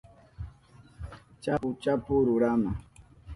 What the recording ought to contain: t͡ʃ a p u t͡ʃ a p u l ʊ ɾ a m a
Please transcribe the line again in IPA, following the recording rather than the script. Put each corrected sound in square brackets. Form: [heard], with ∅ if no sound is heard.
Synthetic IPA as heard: t͡ʃ a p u t͡ʃ a p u [ɾ] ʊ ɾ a m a